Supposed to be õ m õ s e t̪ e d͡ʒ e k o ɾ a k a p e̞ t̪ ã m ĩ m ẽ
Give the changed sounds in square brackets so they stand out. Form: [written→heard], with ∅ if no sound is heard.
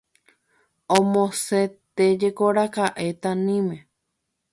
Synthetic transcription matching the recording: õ m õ s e t̪ e d͡ʒ e k o ɾ a k a [p→ʔ] e̞ t̪ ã [m→n] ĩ m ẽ